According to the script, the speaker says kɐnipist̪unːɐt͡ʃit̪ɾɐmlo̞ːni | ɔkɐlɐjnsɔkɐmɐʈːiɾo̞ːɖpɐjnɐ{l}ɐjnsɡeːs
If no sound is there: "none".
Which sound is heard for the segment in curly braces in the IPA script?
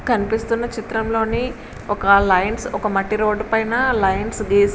l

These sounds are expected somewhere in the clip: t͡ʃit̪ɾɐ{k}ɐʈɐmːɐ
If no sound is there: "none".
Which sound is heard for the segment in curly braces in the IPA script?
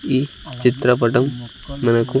p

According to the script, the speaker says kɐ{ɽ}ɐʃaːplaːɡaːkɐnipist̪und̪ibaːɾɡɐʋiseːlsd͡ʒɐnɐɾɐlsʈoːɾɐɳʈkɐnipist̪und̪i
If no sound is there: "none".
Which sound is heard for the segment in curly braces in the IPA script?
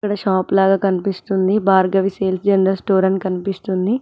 ɽ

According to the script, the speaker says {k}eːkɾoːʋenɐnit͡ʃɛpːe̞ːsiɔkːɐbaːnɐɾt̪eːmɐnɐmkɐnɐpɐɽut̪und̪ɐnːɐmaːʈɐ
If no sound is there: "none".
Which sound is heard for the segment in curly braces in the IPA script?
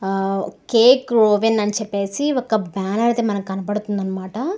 k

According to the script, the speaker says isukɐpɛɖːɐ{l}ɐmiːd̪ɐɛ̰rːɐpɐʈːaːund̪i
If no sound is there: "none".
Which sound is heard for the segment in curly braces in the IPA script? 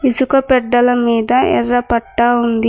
l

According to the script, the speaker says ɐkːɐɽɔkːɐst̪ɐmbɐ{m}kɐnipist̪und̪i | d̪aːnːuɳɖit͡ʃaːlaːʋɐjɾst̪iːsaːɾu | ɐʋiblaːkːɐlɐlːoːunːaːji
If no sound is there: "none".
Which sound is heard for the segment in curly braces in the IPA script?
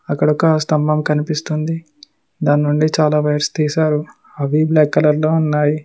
m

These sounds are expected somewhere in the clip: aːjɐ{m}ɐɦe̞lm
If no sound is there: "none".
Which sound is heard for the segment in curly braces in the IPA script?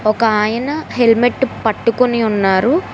n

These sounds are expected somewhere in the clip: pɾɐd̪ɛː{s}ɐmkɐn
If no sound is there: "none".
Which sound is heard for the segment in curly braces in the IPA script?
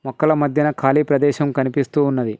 ʃ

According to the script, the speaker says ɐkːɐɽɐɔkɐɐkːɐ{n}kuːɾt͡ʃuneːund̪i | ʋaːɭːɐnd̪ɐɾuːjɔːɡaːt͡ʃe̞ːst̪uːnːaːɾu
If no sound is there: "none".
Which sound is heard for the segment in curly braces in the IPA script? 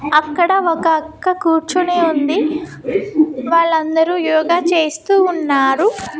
none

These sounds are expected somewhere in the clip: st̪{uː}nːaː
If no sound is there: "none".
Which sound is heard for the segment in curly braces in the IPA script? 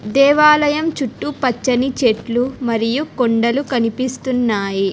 u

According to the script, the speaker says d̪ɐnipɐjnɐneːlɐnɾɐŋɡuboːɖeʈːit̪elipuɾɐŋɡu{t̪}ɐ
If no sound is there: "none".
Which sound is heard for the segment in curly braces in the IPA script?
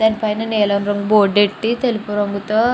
t̪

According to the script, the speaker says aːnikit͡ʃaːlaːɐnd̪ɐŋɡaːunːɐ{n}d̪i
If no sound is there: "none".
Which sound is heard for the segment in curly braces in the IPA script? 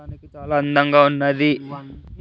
none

